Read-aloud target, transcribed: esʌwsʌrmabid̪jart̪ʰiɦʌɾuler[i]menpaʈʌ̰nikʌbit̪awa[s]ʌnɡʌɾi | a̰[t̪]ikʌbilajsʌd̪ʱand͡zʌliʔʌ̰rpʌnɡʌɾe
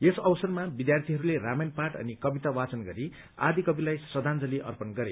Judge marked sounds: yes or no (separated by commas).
no, no, no